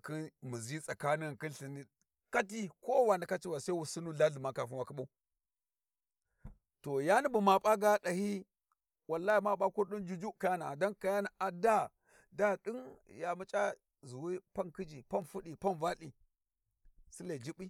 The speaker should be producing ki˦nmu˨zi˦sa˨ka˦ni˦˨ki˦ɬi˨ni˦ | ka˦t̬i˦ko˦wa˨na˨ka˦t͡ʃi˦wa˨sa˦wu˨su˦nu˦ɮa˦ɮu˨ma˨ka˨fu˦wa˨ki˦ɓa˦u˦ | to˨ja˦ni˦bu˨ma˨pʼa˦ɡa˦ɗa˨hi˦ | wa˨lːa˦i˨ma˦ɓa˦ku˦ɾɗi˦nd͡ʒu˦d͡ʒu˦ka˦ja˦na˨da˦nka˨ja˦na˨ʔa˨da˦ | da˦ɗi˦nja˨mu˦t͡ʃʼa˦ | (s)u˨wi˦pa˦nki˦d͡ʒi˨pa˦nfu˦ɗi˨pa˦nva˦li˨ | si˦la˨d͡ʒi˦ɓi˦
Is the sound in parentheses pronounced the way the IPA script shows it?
no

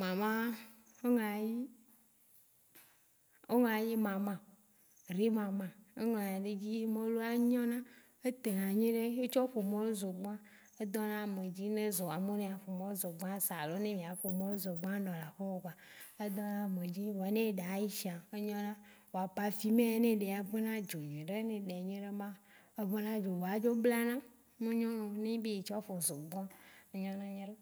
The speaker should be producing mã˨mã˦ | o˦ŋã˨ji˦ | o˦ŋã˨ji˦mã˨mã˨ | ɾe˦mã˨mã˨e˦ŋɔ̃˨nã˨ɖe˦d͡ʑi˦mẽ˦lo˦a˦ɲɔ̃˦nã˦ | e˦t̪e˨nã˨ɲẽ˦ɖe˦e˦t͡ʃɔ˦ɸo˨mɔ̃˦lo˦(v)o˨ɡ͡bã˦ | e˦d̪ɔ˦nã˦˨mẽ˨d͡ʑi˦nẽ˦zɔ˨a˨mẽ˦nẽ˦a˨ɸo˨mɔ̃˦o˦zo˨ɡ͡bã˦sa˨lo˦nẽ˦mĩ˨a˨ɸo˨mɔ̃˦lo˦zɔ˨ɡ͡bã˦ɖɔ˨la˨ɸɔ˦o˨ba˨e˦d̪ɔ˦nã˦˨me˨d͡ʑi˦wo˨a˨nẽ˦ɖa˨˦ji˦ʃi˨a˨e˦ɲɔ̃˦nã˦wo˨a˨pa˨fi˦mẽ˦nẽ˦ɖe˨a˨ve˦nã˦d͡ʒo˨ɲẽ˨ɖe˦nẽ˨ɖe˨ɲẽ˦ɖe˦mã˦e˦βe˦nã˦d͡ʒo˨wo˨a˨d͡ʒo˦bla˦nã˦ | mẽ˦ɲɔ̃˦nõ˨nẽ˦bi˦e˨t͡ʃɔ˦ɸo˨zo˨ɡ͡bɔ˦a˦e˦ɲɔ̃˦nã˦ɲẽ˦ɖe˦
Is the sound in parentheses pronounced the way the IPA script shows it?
no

